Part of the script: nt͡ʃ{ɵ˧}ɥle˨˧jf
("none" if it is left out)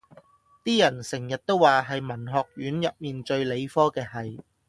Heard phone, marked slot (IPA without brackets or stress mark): ɵ˧